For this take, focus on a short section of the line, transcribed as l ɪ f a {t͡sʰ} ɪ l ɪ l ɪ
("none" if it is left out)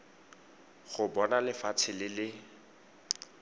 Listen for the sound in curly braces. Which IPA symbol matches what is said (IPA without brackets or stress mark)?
t͡sʰ